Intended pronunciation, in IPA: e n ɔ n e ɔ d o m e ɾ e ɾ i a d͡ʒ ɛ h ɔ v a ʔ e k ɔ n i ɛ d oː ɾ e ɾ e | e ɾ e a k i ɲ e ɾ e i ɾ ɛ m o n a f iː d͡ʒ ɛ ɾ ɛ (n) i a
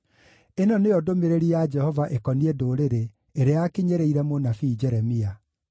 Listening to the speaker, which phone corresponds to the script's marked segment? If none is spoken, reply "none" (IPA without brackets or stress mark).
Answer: m